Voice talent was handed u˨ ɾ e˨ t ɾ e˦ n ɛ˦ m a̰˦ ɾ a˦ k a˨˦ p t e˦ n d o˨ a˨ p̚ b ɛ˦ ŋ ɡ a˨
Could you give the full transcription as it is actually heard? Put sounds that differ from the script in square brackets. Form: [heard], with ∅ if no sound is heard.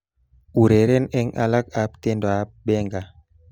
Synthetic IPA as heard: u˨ ɾ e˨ [∅] ɾ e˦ n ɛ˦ [ŋ] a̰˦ [l] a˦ k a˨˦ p t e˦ n d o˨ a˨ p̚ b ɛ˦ ŋ ɡ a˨